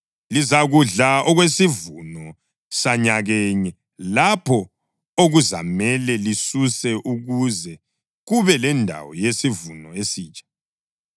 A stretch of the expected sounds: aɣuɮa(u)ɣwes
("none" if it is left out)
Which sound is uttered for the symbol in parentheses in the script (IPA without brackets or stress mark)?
ɔ